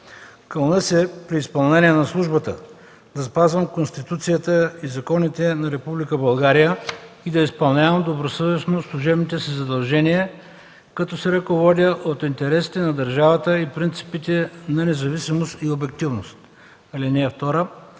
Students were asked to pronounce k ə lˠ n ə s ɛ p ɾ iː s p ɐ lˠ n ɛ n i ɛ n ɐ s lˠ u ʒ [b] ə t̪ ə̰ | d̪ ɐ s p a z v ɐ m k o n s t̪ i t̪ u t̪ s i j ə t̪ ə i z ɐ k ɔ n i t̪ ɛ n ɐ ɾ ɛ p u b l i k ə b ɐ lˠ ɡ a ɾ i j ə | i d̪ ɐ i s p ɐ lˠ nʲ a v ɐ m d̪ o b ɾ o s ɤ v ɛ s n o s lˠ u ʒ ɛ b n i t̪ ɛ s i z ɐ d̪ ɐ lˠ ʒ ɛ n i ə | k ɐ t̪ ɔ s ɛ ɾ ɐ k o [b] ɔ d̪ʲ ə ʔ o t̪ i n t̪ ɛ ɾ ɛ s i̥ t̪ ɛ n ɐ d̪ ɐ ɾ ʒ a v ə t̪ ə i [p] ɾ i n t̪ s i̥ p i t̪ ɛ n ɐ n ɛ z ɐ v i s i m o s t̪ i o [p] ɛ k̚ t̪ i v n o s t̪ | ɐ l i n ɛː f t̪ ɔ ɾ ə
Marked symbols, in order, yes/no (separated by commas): yes, no, yes, no